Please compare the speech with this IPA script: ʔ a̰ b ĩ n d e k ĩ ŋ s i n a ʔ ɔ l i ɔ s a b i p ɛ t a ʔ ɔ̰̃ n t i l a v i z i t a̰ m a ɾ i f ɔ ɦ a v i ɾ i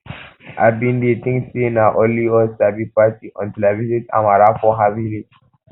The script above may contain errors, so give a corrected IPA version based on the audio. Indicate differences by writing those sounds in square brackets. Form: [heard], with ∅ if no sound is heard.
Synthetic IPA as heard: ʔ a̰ b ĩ n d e [t] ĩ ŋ s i n a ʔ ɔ l i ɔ s a b i p [a] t [i] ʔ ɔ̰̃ n t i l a v i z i t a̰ m a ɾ [a] f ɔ ɦ a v i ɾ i